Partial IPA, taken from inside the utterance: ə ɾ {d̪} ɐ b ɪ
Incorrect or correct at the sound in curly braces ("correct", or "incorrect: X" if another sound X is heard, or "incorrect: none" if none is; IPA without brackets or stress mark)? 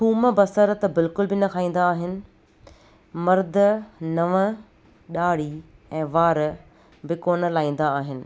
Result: incorrect: t̪